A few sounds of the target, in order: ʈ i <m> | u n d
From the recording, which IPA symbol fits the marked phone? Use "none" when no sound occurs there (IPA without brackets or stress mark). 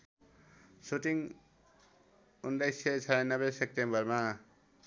ŋ